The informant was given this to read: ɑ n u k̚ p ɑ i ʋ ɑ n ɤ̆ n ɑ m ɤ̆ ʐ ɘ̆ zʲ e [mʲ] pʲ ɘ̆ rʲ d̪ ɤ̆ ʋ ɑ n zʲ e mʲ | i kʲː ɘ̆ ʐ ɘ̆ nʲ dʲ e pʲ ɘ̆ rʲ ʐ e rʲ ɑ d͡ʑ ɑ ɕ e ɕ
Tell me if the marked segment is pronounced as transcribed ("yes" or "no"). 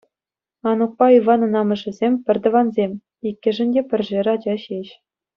yes